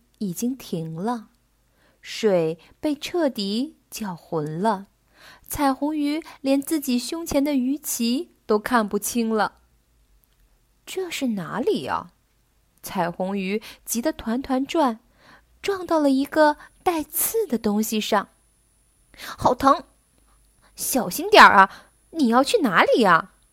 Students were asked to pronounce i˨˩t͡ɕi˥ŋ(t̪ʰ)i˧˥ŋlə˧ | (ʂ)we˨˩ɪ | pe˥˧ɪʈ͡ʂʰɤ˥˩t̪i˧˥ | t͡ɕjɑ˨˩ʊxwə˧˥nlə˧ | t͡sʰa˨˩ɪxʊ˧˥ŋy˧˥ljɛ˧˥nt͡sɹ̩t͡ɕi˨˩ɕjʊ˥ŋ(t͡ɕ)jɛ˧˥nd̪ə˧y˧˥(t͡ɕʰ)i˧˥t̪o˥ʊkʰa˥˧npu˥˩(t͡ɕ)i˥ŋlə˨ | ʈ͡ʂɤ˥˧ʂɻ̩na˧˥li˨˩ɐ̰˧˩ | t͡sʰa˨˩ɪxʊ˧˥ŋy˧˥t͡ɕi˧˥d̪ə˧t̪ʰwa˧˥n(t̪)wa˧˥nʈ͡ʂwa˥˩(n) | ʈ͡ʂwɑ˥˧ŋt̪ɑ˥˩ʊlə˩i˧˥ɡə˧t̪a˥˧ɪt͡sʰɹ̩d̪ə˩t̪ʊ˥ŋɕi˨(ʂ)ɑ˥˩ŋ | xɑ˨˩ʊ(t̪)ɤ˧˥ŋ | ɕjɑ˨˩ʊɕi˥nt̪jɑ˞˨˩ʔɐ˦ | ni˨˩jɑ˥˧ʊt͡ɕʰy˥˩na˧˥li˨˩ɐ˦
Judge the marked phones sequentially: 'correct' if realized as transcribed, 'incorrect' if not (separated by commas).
correct, correct, incorrect, correct, incorrect, incorrect, correct, correct, incorrect